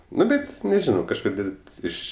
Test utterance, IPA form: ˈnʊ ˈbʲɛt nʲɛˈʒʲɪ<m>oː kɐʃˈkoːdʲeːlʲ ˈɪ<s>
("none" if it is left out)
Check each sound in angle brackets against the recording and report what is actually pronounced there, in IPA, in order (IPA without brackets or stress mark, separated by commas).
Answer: n, ʃ